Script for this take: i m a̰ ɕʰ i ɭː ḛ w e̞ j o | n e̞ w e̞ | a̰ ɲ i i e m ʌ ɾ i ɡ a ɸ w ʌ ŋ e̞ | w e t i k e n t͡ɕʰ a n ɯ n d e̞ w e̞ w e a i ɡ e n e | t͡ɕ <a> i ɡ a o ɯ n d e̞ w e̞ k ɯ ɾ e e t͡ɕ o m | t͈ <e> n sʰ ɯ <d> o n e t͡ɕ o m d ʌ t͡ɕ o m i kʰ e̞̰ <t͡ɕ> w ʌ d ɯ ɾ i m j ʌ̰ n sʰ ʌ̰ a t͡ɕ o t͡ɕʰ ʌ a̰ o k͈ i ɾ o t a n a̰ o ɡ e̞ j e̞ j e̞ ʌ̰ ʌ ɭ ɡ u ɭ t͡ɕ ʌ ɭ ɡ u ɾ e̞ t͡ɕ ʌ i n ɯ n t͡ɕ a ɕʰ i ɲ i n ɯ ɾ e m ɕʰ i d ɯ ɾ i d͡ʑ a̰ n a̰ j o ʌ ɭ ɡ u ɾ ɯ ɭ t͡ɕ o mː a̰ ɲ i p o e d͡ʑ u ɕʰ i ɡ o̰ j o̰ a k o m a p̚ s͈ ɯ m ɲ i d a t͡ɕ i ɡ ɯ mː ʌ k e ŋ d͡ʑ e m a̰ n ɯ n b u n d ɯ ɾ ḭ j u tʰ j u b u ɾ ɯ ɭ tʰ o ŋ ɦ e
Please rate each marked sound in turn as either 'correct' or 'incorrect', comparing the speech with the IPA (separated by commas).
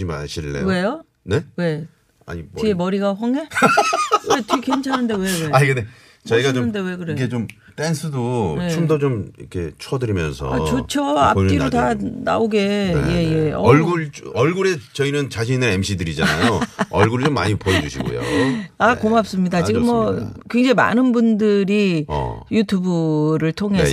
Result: incorrect, correct, correct, incorrect